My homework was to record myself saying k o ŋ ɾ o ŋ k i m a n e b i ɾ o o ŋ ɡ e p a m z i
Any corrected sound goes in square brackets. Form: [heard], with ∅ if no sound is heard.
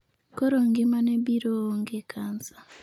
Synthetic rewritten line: k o [∅] ɾ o ŋ [ɡ] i m a n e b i ɾ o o ŋ ɡ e [k] a [n] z [a]